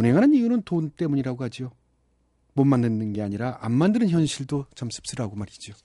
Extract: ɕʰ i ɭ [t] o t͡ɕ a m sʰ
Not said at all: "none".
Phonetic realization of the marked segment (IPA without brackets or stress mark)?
d